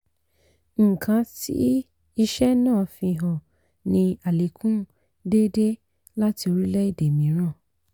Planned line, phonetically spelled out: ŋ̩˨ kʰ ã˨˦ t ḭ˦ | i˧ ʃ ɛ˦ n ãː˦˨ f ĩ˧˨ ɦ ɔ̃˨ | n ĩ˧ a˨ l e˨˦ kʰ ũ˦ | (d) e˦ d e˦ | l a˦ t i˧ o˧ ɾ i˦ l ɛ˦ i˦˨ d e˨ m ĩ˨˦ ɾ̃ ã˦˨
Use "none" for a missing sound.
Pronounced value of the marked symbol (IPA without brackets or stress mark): d